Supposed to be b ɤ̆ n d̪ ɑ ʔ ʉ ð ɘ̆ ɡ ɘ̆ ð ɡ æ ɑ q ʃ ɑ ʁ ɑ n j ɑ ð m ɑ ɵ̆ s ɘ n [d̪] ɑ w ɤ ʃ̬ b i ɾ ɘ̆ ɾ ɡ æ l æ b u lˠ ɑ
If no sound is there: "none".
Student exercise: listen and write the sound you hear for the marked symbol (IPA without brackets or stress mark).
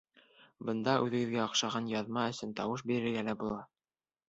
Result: t̪